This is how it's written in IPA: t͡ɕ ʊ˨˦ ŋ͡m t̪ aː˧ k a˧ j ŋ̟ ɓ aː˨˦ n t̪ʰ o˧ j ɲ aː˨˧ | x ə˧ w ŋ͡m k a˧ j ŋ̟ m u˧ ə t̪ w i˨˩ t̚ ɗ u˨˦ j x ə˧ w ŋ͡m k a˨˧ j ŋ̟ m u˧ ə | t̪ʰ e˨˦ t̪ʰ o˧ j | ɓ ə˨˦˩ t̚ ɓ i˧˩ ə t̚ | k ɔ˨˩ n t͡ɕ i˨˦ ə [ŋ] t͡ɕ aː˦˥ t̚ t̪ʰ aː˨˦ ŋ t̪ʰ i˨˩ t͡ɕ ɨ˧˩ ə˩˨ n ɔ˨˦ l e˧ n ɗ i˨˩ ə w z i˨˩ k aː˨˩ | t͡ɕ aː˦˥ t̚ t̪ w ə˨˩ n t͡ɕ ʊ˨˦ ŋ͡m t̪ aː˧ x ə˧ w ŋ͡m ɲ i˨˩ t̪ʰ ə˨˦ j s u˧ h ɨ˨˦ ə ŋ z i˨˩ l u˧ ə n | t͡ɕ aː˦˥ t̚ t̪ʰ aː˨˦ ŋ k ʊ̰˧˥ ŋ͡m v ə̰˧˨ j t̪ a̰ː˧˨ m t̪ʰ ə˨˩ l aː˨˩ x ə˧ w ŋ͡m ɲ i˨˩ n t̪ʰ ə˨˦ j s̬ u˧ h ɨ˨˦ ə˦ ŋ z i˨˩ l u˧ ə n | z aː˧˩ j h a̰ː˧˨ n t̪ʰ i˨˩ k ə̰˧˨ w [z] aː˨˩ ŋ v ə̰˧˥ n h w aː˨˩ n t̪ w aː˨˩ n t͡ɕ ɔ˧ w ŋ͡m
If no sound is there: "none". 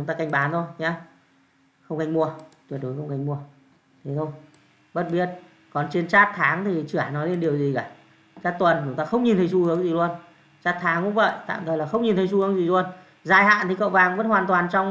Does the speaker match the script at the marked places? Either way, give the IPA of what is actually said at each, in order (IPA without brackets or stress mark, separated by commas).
n, v